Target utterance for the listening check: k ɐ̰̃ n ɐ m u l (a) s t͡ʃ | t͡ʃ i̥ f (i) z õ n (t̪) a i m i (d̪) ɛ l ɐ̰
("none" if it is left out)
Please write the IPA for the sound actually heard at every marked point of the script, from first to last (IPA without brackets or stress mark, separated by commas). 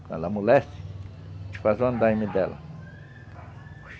ɛ, a, d̪, d̪